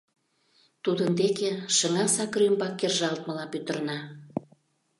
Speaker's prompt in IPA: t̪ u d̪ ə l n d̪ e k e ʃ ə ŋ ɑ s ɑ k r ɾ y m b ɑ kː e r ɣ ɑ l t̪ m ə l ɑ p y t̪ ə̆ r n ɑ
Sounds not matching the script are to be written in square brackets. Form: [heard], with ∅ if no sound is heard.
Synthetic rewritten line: t̪ u d̪ ə [∅] n d̪ e k e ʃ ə ŋ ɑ s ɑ k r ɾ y m b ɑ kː e r [ʒ] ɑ l t̪ m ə l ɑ p y t̪ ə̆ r n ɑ